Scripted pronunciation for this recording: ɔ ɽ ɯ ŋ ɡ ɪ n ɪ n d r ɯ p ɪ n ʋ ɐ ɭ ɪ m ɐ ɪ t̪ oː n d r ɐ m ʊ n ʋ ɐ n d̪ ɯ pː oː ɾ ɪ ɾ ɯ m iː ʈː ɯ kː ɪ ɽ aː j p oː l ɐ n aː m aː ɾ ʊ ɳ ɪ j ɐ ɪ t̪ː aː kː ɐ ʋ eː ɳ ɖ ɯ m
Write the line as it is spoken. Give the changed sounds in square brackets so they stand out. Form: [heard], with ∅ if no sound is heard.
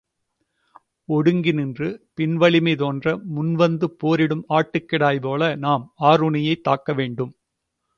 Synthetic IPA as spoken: ɔ ɽ ɯ ŋ ɡ ɪ n ɪ n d r ɯ p ɪ n ʋ ɐ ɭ ɪ m ɐ ɪ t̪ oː n d r ɐ m ʊ n ʋ ɐ n d̪ ɯ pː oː ɾ ɪ [ɽ] ɯ m [aː] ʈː ɯ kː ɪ ɽ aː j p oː l ɐ n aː m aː ɾ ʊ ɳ ɪ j ɐ ɪ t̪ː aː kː ɐ ʋ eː ɳ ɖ ɯ m